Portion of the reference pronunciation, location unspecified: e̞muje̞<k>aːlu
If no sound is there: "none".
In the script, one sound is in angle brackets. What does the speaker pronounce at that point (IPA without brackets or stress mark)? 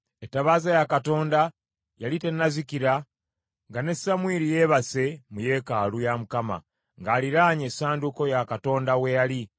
k